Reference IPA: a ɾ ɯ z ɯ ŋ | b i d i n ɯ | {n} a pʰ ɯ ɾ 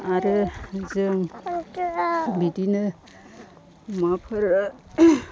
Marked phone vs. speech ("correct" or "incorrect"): incorrect